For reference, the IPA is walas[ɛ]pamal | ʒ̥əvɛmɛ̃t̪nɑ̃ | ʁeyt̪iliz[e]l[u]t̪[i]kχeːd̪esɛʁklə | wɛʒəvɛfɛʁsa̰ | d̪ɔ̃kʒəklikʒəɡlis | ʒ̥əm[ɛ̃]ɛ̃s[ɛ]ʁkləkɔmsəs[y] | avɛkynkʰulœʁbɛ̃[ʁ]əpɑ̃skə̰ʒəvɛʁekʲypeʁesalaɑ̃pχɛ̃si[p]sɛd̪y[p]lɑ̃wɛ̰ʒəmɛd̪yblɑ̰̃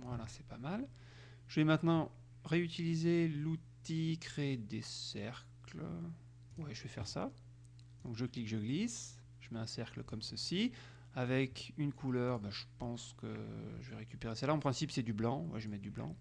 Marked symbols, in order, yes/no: yes, yes, yes, yes, no, yes, no, no, yes, no

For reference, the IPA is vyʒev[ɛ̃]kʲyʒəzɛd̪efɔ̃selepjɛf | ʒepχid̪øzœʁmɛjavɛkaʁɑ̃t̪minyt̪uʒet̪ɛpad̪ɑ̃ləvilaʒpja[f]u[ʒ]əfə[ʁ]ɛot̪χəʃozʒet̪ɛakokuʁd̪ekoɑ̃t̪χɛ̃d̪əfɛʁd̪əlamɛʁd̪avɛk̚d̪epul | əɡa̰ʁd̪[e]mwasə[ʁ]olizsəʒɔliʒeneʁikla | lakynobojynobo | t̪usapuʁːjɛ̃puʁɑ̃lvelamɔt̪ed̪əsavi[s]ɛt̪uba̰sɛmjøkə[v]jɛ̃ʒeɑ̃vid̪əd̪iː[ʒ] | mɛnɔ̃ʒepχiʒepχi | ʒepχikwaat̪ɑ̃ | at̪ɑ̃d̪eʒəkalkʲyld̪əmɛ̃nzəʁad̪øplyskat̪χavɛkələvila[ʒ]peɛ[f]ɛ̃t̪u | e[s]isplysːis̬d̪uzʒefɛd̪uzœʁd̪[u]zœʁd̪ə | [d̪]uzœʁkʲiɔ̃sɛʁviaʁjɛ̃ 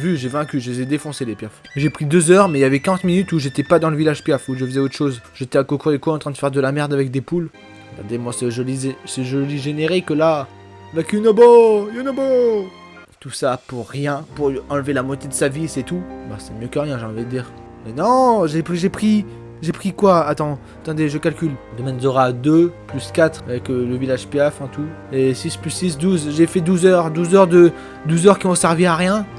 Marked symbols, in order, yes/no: yes, yes, yes, no, yes, no, yes, no, no, yes, yes, yes, yes, yes

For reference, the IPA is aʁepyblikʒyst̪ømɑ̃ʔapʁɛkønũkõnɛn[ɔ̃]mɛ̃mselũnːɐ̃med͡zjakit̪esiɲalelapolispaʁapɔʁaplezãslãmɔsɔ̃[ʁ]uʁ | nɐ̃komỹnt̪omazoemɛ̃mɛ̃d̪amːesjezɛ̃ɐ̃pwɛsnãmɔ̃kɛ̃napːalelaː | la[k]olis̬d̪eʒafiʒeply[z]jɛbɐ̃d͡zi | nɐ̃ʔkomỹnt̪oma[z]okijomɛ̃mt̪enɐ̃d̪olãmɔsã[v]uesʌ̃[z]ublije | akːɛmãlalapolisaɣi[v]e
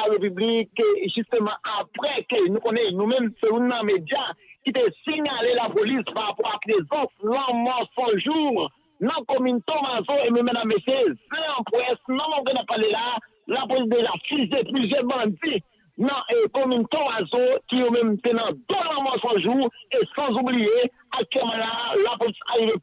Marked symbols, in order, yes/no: no, no, no, yes, yes, no, yes, yes

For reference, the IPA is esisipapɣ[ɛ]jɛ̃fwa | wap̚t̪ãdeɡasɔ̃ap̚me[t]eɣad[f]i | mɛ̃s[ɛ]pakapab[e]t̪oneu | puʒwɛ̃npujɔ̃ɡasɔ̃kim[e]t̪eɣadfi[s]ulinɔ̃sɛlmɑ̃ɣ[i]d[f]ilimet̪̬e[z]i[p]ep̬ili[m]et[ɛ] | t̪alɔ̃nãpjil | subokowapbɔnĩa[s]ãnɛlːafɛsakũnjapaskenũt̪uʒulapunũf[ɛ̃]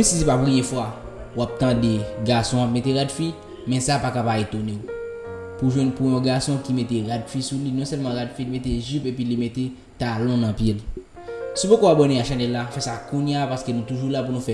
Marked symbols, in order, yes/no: no, yes, yes, no, yes, yes, yes, no, yes, no, yes, yes, no, no, no

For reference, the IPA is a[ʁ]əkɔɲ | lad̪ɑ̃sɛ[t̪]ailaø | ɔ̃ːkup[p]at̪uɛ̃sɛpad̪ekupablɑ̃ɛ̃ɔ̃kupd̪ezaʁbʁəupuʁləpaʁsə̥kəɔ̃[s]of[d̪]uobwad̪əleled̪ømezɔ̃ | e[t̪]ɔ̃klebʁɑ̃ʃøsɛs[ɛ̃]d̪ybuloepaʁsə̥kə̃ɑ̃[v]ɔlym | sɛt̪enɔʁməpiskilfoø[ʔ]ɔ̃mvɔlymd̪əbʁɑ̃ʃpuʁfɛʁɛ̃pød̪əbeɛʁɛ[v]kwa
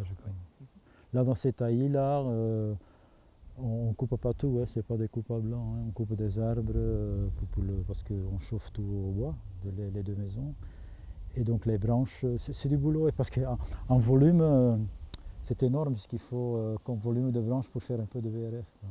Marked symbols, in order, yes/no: no, yes, yes, no, no, no, no, yes, no, no

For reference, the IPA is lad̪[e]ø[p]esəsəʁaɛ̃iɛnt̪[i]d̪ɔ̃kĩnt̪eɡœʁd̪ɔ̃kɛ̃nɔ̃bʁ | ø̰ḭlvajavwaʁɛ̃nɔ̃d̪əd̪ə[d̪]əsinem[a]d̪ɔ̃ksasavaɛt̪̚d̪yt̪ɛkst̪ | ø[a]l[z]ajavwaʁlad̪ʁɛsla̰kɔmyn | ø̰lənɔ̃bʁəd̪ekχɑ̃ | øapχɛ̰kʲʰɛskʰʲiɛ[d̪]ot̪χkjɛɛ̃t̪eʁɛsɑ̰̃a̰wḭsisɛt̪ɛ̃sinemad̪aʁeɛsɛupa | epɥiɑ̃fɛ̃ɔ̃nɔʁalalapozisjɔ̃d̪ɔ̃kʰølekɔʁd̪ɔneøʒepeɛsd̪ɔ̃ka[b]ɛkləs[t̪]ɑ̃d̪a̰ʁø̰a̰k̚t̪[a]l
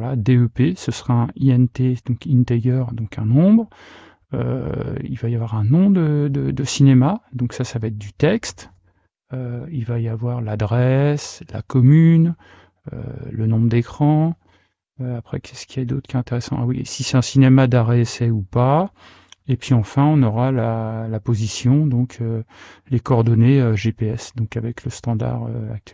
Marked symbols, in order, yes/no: yes, yes, no, yes, yes, no, no, yes, no, yes, no

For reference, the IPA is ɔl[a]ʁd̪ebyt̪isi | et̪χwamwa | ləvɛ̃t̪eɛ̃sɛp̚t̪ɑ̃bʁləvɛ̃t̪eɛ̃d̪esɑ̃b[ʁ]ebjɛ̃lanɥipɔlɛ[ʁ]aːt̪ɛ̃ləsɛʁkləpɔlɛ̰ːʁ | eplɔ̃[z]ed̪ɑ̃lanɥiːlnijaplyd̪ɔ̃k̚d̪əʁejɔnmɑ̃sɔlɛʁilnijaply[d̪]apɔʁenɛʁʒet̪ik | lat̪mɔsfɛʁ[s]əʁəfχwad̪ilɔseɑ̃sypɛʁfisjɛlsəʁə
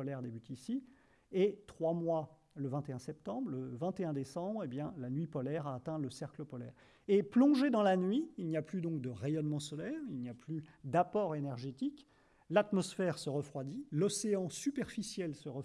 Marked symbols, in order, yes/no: no, yes, yes, no, yes, yes

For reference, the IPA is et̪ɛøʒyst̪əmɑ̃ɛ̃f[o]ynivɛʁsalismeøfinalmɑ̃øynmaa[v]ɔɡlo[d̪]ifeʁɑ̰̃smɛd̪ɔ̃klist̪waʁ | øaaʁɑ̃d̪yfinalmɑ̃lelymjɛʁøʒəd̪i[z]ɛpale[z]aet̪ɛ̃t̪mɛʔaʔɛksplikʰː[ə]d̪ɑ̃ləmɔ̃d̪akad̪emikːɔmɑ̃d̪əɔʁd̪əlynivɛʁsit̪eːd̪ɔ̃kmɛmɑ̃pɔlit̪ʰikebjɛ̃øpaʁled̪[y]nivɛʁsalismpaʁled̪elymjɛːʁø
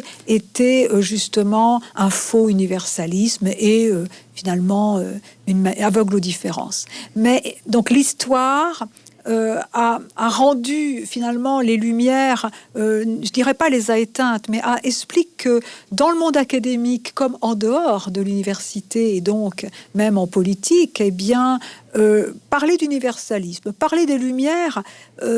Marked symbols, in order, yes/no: yes, yes, yes, no, yes, yes, yes

